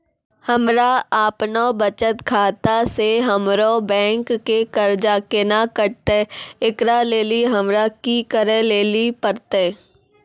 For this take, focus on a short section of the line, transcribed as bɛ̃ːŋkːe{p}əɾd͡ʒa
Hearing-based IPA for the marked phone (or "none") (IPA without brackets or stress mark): k